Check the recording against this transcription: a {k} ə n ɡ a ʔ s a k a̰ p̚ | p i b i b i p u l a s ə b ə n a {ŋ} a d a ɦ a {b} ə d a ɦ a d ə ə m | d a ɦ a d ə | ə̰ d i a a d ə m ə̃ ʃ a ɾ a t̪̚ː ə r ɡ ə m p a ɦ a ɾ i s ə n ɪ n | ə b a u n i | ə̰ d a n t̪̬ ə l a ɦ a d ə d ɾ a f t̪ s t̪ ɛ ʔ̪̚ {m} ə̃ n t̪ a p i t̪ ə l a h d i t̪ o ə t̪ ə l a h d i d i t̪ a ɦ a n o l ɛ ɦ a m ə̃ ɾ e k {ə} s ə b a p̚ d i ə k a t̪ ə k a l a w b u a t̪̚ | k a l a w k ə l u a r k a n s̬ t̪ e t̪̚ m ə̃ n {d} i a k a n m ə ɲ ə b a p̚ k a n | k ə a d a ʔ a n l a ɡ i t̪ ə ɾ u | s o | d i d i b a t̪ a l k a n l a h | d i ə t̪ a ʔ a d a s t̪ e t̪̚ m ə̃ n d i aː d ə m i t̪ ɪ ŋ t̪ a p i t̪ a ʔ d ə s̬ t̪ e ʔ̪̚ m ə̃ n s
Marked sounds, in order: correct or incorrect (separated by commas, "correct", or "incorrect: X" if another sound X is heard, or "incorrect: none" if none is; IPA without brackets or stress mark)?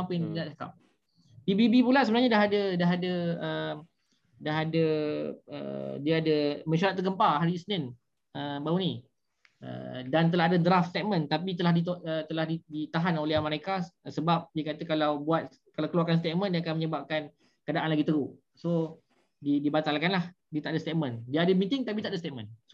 incorrect: p, incorrect: ɲ, incorrect: d, correct, incorrect: a, correct